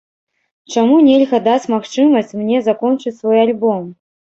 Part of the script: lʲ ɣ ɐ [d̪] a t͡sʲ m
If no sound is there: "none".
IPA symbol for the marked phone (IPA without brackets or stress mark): d̪